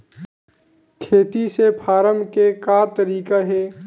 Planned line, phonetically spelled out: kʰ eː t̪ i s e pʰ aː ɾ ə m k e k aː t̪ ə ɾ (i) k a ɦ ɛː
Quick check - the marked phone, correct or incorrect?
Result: incorrect